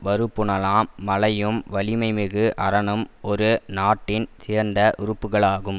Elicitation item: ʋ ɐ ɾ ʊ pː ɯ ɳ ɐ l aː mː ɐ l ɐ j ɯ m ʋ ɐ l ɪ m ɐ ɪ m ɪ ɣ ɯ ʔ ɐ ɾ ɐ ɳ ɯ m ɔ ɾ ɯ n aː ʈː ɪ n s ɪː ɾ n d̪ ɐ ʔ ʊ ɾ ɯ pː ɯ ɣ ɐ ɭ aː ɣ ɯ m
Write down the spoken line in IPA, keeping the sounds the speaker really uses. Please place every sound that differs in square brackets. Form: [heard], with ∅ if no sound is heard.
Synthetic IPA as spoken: ʋ ɐ ɾ [ɯ] pː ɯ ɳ ɐ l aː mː ɐ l ɐ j ɯ m ʋ ɐ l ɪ m ɐ ɪ m ɪ ɣ ɯ ʔ ɐ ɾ ɐ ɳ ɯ m ɔ ɾ ɯ n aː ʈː ɪ n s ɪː ɾ n d̪ ɐ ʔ ʊ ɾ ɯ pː ɯ ɣ ɐ ɭ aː ɣ ɯ m